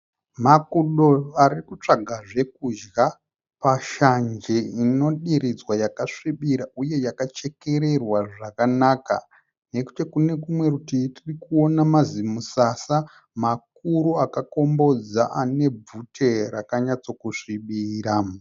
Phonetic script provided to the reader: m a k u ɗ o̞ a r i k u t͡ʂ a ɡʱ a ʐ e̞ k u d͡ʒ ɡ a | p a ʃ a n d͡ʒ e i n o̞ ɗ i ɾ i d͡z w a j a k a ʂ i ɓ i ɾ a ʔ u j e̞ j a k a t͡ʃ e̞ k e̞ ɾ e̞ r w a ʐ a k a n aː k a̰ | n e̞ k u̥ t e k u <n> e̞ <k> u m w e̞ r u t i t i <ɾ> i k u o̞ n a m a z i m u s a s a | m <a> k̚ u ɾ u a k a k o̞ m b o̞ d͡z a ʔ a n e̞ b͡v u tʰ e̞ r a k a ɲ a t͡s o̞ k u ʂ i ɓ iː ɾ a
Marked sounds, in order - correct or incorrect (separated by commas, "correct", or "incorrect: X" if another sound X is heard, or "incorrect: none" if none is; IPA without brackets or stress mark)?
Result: correct, correct, incorrect: r, correct